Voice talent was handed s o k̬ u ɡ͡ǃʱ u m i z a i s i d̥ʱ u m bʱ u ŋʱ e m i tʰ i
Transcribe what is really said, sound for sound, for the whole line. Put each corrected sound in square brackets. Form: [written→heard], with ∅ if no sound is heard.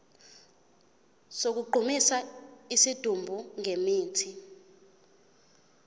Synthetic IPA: s o k̬ u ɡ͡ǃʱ u m i [z→s] a i s i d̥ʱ u m bʱ u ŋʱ e m [i→iː] tʰ i